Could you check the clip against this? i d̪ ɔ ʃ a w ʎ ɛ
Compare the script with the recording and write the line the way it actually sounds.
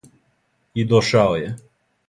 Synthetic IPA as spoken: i d̪ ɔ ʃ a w j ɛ